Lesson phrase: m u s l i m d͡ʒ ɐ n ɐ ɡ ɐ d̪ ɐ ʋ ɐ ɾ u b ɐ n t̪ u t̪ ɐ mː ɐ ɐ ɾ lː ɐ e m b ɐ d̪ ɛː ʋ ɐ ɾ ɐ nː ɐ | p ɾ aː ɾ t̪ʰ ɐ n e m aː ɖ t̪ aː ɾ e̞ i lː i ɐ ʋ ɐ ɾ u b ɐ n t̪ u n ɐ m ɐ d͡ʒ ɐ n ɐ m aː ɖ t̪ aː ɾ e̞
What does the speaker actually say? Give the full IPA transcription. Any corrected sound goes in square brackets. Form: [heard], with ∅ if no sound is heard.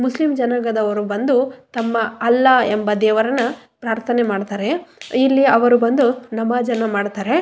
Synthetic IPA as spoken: m u s l i m d͡ʒ ɐ n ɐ ɡ ɐ d̪ ɐ ʋ ɐ ɾ u b ɐ n [d̪] u t̪ ɐ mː ɐ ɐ [∅] lː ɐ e m b ɐ d̪ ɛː ʋ ɐ ɾ ɐ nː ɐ | p ɾ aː ɾ t̪ʰ ɐ n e m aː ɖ t̪ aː ɾ e̞ i lː i ɐ ʋ ɐ ɾ u b ɐ n [d̪] u n ɐ m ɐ d͡ʒ ɐ n ɐ m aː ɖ t̪ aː ɾ e̞